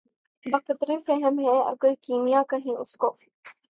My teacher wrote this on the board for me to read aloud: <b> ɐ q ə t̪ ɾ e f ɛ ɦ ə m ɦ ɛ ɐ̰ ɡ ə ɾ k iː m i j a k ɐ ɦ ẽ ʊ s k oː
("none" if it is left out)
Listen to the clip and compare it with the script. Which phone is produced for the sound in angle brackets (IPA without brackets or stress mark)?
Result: b